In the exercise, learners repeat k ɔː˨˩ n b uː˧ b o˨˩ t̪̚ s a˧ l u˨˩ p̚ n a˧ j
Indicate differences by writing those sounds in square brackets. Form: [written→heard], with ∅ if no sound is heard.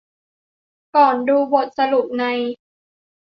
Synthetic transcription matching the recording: k ɔː˨˩ n [b→d] uː˧ b o˨˩ t̪̚ s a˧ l u˨˩ p̚ n a˧ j